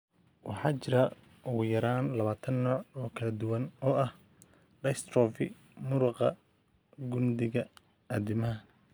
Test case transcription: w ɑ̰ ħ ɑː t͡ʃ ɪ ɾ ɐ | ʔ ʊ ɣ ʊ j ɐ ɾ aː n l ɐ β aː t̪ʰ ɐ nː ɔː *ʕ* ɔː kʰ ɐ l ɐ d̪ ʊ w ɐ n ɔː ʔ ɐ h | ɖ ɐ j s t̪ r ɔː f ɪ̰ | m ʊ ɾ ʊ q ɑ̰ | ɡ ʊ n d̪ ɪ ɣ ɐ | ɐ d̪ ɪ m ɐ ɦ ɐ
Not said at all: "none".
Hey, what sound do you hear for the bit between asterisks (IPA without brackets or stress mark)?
ʕ